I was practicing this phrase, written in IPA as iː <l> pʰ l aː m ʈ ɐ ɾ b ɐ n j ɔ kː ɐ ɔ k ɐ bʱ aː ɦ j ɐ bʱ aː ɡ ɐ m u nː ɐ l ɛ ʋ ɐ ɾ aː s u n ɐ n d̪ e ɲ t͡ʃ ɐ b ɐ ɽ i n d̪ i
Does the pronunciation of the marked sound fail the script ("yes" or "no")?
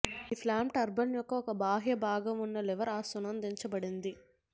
yes